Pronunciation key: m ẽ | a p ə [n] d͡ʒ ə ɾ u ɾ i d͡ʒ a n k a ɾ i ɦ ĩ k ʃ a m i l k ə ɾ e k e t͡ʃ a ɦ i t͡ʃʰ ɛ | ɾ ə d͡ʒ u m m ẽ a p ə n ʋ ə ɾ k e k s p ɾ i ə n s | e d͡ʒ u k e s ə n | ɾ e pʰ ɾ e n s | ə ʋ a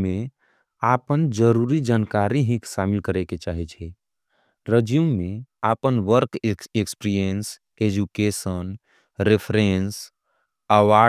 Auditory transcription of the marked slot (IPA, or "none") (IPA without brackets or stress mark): n